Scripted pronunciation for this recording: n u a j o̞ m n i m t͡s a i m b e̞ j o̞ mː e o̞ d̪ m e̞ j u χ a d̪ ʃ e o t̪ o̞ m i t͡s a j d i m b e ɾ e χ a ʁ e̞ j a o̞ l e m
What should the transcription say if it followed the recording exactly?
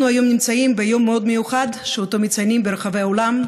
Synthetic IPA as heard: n u a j o̞ m n i m t͡s a i m b e̞ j o̞ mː e o̞ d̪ m e̞ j u χ a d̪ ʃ e o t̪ o̞ m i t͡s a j n i m b e ɾ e χ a v e̞ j a o̞ l a m